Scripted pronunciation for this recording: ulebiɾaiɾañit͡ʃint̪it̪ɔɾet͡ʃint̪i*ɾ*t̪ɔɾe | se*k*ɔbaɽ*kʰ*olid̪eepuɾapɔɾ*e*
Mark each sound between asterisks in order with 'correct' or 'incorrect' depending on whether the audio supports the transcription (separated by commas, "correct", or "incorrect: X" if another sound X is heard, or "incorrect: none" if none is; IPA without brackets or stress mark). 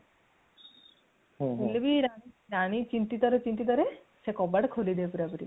incorrect: none, correct, correct, incorrect: i